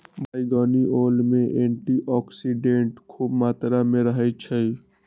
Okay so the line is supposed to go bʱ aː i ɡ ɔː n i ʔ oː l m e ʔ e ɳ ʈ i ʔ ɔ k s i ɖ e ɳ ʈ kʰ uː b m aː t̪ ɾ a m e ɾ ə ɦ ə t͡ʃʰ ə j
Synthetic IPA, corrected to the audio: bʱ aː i ɡ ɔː n i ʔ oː l m e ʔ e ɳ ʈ i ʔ ɔ k s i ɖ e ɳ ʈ kʰ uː b m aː t̪ ɾ a m e ɾ ə ɦ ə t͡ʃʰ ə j

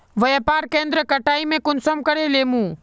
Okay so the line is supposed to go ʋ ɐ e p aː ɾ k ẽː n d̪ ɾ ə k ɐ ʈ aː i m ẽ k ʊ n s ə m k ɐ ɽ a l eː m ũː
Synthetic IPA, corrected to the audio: ʋ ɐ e p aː ɾ k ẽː n d̪ ɾ ə k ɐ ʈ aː i m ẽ k ʊ n s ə m k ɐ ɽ e l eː m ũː

